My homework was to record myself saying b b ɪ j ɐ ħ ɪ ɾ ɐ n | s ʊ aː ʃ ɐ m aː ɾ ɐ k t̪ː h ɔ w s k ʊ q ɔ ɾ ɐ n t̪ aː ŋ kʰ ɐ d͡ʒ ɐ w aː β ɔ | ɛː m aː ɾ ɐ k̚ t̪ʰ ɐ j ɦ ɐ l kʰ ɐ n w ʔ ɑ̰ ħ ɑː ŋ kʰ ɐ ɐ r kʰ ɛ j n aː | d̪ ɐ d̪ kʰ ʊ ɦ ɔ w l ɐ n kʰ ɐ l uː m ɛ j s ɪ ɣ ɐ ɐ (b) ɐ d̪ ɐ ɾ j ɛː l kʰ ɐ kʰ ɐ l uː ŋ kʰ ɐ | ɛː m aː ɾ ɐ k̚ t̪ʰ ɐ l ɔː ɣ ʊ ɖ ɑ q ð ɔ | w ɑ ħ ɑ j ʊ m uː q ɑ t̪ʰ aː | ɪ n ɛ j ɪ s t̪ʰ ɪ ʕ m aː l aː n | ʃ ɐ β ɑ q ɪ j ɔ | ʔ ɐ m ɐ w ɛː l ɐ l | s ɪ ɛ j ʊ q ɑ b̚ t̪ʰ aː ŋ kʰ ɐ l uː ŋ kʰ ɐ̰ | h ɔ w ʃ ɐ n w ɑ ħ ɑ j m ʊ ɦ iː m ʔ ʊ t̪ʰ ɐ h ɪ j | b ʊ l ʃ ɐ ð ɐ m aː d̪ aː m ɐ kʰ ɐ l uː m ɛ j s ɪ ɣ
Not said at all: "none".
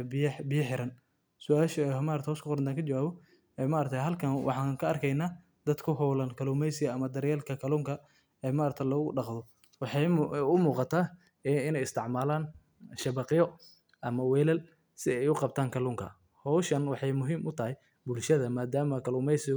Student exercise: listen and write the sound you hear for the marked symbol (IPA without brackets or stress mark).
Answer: m